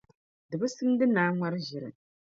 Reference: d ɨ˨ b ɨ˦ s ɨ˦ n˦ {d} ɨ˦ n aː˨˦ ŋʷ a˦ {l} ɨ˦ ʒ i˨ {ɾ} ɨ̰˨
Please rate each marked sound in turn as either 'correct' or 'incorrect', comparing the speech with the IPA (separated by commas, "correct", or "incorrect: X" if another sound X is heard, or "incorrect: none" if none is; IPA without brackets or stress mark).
correct, incorrect: ɾ, correct